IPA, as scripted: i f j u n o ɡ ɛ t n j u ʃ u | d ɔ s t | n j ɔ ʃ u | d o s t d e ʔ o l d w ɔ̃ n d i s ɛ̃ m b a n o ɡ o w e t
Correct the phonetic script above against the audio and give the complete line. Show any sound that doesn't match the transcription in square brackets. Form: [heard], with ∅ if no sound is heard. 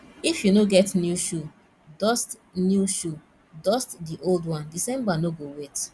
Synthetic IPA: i f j u n o ɡ ɛ t n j u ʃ u | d ɔ s t | n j [u] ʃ u | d [ɔ] s t d [i] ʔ o l d w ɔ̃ n d i s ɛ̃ m b a n o ɡ o w e t